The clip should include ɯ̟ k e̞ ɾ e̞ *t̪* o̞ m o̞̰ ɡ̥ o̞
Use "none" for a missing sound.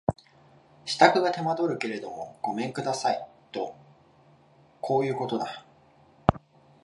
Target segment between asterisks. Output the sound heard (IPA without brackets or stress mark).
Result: d̪